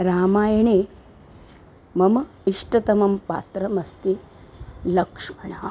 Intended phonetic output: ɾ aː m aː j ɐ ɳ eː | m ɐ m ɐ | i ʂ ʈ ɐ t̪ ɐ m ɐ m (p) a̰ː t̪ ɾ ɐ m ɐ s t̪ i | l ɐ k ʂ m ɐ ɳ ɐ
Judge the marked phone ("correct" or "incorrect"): correct